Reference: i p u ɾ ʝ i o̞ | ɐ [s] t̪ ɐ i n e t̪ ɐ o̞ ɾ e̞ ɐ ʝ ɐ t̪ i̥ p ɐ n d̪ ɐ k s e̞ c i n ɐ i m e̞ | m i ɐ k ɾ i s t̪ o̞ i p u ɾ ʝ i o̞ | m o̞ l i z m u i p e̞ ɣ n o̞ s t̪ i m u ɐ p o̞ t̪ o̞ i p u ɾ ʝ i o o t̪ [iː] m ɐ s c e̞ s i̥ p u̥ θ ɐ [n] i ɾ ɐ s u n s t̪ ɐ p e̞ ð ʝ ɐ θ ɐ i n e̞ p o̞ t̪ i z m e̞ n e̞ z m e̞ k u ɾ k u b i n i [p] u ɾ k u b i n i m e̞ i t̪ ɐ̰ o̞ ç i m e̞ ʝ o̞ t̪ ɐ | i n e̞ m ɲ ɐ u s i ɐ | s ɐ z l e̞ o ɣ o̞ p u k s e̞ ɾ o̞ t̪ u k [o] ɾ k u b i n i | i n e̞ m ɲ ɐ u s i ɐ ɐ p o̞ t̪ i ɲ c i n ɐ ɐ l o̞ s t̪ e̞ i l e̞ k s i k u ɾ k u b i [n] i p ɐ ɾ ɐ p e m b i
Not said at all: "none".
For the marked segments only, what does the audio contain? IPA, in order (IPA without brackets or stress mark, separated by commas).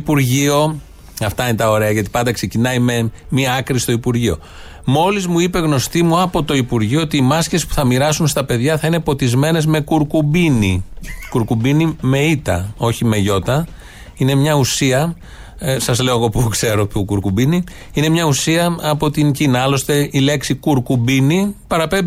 f, iː, m, k, u, n